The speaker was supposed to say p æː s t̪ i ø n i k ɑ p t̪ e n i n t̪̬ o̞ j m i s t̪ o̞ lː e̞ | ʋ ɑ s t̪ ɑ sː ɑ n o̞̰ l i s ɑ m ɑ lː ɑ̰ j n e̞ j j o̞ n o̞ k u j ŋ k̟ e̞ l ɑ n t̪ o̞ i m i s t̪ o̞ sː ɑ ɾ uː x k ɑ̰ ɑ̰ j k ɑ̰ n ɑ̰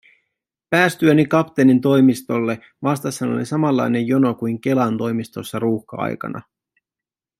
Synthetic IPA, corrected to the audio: p æː s t̪ y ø n i k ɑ p t̪ e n i n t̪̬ o̞ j m i s t̪ o̞ lː e̞ | ʋ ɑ s t̪ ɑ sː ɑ n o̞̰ l i s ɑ m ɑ lː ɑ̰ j n e̞ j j o̞ n o̞ k u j ŋ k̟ e̞ l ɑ n t̪ o̞ j m i s t̪ o̞ sː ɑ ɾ uː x k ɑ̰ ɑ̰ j k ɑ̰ n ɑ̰